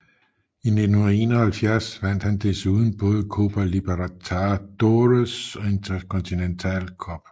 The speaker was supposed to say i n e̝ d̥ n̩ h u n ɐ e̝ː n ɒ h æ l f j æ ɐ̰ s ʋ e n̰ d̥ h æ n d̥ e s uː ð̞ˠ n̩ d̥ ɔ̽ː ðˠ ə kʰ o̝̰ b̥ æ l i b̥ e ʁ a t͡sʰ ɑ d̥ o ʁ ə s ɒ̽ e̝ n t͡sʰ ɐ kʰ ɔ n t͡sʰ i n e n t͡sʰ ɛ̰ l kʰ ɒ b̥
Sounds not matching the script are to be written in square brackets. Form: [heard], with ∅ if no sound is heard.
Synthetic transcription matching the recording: i n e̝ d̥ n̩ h u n ɐ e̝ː n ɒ h æ l f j æ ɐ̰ s ʋ [æ] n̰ d̥ h æ n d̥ e s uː ð̞ˠ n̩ [b̥] ɔ̽ː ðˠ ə kʰ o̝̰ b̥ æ l i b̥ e ʁ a t͡sʰ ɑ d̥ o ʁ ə s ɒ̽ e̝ n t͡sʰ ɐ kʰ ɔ n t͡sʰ i n e n t͡sʰ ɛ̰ l kʰ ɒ b̥